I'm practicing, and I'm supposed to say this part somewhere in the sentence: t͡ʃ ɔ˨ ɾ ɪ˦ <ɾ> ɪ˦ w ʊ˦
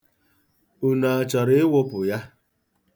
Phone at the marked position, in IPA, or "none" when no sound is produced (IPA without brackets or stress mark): none